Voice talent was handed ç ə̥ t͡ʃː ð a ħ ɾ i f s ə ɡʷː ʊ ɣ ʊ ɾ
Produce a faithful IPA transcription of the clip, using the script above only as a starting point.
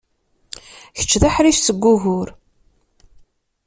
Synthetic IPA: ç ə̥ t͡ʃː ð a ħ ɾ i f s ə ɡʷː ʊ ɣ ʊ ɾ